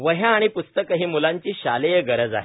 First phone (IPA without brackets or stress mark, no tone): ʋ